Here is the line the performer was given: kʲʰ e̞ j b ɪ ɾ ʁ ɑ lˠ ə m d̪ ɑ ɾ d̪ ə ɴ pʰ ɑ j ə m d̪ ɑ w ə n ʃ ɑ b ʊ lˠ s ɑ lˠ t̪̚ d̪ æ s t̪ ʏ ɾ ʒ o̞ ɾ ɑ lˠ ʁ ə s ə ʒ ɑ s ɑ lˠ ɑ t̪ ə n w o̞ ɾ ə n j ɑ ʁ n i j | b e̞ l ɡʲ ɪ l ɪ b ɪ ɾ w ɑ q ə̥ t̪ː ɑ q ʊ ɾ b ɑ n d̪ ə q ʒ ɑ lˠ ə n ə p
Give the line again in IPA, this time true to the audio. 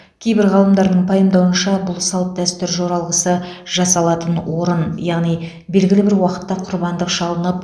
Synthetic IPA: kʲʰ e̞ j b ɪ ɾ ʁ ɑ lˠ ə m d̪ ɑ ɾ d̪ ə ɴ pʰ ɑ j ə m d̪ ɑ w ə n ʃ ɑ b ʊ lˠ s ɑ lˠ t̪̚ d̪ æ s t̪ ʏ ɾ ʒ o̞ ɾ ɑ lˠ ʁ ə s ə ʒ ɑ s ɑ lˠ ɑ t̪ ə n w o̞ ɾ ə n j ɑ ʁ n i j | b e̞ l ɡʲ ɪ l ɪ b ɪ ɾ w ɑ q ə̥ t̪ː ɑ qʰ ʊ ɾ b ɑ n d̪ ə q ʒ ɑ lˠ ə n ə p